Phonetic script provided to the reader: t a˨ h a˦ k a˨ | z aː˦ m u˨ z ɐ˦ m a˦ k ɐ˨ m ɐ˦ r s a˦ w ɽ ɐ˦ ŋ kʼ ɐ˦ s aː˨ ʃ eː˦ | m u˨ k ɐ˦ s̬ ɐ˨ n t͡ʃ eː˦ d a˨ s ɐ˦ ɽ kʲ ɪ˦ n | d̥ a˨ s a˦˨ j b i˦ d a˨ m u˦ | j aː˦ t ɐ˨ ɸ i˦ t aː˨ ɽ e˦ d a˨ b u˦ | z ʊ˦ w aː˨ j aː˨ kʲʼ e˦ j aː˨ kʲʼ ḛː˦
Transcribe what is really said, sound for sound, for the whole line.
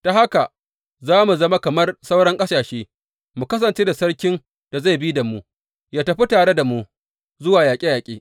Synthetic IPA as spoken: t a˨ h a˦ k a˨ | z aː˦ m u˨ z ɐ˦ m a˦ k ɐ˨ m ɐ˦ r s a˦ w ɽ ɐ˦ ŋ kʼ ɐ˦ s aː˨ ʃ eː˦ | m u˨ k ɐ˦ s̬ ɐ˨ n t͡ʃ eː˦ d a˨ s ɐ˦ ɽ kʲ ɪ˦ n | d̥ a˨ z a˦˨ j b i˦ d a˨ m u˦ | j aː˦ t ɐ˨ ɸ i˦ t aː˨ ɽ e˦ d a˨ m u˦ | z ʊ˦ w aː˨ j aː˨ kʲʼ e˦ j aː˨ kʲʼ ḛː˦

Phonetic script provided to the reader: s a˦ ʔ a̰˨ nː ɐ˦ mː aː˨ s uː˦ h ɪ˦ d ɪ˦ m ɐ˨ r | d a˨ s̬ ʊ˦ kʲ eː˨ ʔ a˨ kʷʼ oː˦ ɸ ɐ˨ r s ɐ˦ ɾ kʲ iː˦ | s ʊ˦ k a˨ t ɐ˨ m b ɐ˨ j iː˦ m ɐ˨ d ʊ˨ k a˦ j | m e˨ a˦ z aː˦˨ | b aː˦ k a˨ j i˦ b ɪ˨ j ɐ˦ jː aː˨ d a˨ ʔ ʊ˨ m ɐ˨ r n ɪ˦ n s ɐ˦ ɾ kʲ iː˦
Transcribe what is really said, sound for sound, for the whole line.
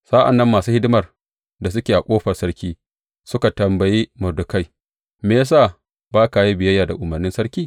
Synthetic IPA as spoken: s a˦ ʔ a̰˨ nː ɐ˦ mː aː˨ s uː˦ h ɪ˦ d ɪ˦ m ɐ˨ r | d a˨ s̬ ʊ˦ kʲ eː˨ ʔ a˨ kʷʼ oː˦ ɸ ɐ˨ r s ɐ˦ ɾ kʲ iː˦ | s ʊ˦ k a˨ t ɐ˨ m b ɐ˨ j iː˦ m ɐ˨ d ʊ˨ k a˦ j | m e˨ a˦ s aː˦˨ | b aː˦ k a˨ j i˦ b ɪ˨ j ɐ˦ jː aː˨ d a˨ ʔ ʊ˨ m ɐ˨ r n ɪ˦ n s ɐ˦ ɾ kʲ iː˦

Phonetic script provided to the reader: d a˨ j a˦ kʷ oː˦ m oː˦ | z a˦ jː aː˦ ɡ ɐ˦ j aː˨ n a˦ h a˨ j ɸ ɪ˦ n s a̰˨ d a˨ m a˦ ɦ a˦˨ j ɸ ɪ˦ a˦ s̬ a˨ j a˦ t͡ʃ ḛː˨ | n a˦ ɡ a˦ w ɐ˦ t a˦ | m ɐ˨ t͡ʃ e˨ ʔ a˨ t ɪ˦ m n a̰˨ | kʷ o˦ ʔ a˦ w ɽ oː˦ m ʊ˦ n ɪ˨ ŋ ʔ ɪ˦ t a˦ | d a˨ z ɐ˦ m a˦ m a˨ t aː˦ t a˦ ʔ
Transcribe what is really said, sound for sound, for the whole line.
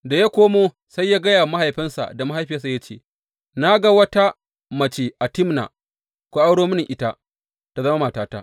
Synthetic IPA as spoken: d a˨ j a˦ kʷ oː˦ m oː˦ | s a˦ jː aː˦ ɡ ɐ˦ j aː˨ m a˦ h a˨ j ɸ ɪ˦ n s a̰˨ d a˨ m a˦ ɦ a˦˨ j ɸ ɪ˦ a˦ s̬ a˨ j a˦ t͡ʃ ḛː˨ | n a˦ ɡ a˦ w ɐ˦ t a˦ | m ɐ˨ t͡ʃ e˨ ʔ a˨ t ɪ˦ m n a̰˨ | kʷ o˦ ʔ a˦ w ɽ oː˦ m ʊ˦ n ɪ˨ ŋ ʔ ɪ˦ t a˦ | t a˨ z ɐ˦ m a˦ m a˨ t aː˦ t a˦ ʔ

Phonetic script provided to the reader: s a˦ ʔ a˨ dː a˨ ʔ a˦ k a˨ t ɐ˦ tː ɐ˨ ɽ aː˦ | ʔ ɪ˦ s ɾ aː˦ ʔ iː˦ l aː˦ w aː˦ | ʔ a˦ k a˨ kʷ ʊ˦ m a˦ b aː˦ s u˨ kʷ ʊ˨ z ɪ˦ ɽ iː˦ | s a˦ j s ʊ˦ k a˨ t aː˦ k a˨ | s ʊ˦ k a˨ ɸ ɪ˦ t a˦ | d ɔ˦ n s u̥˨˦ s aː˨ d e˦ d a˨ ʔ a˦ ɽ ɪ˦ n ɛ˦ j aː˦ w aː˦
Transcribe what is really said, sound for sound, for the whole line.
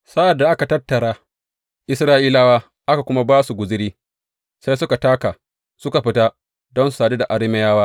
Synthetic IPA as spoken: s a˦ ʔ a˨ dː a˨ ʔ a˦ k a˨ t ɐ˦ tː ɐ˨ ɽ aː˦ | ʔ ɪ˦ s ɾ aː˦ ʔ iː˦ l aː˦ w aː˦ | ʔ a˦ k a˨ kʷ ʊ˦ m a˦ b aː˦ s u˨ ɡʷ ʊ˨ z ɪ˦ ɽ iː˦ | s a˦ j s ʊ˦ k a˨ t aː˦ k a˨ | s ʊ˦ k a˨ ɸ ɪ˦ t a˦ | d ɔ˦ n s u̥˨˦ s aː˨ d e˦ d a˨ ʔ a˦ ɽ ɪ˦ m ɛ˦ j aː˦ w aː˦

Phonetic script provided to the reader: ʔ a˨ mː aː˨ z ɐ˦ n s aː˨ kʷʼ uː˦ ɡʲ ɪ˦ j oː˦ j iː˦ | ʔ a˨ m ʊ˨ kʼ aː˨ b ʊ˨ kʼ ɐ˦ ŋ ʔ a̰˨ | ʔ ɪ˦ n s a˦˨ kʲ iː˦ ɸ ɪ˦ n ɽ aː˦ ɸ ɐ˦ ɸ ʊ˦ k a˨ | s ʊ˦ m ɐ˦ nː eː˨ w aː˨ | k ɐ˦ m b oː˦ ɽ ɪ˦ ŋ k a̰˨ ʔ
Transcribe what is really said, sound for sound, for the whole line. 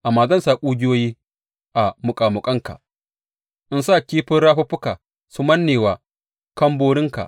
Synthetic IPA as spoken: ʔ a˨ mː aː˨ z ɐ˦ n s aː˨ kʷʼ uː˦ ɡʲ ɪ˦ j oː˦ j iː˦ | ʔ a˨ m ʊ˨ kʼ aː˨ m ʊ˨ kʼ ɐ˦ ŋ k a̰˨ | ʔ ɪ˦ n s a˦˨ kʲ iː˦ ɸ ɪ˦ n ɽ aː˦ ɸ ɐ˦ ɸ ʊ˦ k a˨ | s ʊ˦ m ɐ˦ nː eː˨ w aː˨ | k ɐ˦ m b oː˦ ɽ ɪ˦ ŋ k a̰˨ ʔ

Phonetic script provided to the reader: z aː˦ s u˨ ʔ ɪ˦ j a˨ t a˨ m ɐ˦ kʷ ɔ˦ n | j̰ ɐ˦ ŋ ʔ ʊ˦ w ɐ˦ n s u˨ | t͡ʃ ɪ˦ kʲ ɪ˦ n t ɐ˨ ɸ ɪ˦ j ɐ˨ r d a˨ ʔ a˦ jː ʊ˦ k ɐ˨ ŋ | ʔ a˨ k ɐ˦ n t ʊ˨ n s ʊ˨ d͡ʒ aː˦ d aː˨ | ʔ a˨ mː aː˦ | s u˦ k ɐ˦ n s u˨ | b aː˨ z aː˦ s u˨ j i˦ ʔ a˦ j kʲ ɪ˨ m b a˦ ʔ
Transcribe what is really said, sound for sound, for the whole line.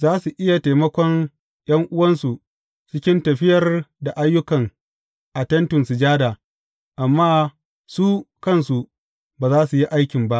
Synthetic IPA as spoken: z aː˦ s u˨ ʔ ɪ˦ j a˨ t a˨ m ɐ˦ kʷ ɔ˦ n | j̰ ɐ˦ ŋ ʔ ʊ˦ w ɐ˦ n s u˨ | t͡ʃ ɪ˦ kʲ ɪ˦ n t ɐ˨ ɸ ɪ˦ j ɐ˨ r d a˨ ʔ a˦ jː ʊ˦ k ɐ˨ ŋ | ʔ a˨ t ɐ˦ n t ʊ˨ n s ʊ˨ d͡ʒ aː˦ d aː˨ | ʔ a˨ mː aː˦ | s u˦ k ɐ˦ n s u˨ | b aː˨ z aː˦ s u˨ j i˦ ʔ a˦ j kʲ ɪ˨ m b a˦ ʔ

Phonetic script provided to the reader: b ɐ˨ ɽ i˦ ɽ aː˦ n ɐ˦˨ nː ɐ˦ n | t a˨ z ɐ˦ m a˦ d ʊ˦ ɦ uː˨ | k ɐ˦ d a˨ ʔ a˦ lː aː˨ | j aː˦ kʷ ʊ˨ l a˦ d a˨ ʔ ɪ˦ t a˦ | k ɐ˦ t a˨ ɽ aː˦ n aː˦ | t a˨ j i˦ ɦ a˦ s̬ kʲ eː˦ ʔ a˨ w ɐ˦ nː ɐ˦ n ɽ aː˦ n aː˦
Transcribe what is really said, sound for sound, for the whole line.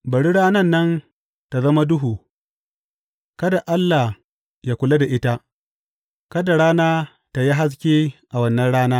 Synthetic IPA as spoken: b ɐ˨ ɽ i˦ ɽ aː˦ n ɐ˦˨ nː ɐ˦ n | t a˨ z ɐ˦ m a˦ d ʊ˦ ɦ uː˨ | k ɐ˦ d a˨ ʔ a˦ lː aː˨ | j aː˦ kʷ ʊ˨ l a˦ d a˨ ʔ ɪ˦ t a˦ | k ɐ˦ d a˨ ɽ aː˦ n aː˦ | t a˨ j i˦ ɦ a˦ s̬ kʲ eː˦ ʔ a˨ w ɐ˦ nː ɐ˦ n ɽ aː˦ n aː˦

